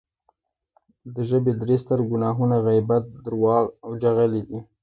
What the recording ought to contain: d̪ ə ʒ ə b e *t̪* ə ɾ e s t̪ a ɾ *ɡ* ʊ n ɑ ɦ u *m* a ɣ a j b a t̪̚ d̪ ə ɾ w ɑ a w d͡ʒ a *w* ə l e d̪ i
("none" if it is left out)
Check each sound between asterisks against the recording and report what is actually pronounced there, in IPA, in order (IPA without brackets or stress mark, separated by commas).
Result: d̪, ɡ, n, ɣ